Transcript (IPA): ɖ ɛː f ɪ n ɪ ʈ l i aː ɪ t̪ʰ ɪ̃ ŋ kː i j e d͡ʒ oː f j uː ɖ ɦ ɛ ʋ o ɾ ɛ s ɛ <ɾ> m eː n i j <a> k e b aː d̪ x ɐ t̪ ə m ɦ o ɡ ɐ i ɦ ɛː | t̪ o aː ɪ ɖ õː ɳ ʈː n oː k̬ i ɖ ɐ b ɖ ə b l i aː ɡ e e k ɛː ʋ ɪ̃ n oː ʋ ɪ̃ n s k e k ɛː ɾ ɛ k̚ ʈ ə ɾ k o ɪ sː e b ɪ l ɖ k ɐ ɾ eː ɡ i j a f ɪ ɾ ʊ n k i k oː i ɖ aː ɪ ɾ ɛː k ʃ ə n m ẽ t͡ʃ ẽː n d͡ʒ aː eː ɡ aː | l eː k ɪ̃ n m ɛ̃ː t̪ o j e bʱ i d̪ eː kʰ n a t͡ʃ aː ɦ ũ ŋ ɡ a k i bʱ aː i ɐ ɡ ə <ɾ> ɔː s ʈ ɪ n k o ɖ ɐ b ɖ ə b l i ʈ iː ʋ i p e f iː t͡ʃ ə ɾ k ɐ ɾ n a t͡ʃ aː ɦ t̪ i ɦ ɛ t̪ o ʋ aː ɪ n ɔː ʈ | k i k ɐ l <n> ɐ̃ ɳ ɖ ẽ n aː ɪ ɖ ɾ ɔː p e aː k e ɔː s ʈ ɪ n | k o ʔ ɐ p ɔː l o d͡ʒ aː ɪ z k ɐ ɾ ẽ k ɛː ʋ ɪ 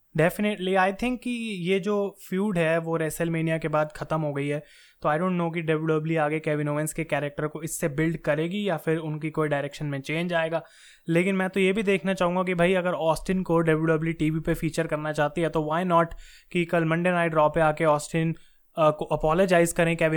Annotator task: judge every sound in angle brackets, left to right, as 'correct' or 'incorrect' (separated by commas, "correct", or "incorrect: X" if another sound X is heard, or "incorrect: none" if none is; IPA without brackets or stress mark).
incorrect: l, correct, correct, incorrect: m